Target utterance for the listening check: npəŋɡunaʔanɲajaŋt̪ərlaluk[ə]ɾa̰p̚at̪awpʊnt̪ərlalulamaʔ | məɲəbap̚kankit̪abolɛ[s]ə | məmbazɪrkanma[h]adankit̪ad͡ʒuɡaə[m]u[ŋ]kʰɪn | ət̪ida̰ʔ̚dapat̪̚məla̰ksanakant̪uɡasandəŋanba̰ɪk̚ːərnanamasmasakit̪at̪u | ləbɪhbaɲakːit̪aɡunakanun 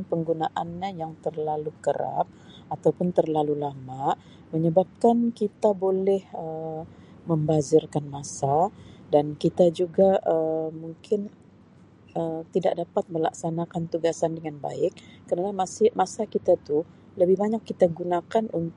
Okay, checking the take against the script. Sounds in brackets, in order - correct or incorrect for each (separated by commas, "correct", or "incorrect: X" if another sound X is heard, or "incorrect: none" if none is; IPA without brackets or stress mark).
correct, incorrect: h, incorrect: s, correct, correct